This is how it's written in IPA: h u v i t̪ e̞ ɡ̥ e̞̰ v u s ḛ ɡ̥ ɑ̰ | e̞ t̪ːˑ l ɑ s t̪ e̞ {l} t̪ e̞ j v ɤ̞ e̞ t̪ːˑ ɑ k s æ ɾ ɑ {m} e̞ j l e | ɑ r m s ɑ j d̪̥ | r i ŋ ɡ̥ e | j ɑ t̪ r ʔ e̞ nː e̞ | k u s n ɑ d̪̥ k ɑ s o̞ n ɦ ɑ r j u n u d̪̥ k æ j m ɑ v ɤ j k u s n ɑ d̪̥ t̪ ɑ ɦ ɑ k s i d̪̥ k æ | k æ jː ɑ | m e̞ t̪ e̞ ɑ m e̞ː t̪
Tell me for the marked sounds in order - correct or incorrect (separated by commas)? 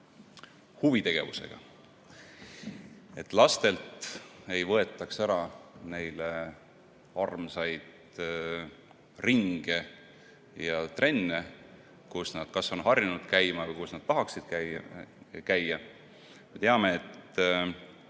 correct, incorrect